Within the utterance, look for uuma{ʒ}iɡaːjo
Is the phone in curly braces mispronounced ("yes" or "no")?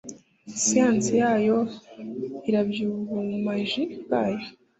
no